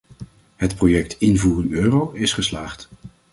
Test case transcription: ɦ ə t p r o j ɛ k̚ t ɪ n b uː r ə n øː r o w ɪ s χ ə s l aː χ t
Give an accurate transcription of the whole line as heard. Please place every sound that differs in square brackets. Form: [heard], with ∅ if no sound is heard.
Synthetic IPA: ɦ ə t p r o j ɛ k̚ t ɪ n [v] uː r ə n øː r o w ɪ s χ ə s l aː χ t